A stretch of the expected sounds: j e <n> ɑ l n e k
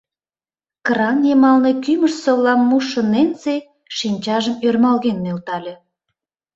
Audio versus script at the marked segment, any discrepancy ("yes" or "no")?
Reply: yes